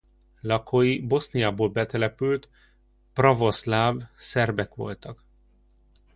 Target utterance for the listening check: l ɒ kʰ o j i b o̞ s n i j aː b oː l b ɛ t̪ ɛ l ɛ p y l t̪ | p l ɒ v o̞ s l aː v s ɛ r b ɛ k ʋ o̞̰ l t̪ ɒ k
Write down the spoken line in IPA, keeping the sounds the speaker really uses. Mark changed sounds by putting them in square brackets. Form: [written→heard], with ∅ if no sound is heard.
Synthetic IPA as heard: l ɒ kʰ o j i b o̞ s n i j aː b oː l b ɛ t̪ ɛ l ɛ p y l t̪ | p [l→r] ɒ v o̞ s l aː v s ɛ r b ɛ k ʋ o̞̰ l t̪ ɒ k